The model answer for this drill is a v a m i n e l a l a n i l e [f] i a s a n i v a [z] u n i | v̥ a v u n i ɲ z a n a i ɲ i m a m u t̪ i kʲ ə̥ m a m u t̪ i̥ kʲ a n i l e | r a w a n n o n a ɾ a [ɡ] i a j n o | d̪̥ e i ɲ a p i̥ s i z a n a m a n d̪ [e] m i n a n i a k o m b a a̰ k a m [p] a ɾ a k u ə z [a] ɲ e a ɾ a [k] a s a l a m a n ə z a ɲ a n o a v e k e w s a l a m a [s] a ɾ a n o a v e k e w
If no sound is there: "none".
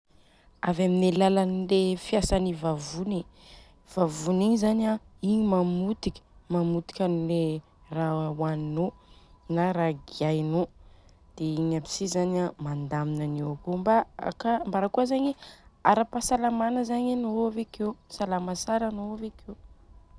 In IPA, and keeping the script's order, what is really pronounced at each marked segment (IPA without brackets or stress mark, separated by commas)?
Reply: f, v, ɡ, a, b, a, p, s